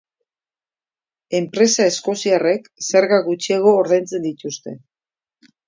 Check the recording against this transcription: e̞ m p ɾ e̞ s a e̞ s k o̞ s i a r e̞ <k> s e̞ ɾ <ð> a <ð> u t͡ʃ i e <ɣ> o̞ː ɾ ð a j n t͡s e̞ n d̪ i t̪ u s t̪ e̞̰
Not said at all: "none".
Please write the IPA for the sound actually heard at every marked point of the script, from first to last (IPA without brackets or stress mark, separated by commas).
k, ɣ, ɣ, ɣ